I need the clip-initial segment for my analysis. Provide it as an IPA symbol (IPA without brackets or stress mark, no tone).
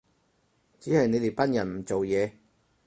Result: t͡s